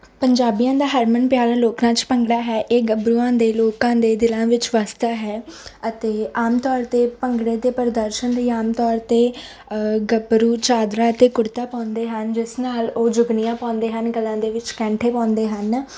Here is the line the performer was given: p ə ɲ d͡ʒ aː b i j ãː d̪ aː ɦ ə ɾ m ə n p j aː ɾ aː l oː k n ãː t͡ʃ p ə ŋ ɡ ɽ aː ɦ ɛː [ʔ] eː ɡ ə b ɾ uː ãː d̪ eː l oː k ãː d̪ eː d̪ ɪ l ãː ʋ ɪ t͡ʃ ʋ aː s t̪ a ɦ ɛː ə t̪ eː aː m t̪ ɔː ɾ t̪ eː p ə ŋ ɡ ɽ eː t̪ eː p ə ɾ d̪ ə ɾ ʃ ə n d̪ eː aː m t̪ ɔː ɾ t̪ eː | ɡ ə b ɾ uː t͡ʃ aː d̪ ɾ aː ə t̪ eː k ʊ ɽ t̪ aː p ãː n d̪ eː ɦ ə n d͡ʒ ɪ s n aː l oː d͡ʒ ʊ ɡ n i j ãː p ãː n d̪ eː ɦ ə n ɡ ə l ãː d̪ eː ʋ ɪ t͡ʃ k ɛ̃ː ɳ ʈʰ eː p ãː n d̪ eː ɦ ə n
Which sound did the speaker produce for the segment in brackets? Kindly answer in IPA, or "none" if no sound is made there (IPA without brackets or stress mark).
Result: ʔ